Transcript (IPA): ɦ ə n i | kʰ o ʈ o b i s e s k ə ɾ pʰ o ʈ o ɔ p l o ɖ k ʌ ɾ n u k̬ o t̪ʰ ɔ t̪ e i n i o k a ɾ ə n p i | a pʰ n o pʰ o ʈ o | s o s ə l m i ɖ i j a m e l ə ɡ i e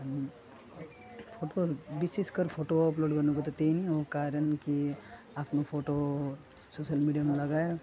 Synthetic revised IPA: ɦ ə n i | pʰ o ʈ o b i s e s k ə ɾ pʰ o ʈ o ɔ p l o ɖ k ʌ ɾ n u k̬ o t̪ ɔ t̪ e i n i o k a ɾ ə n k i | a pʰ n o pʰ o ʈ o | s o s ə l m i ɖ i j a m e l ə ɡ a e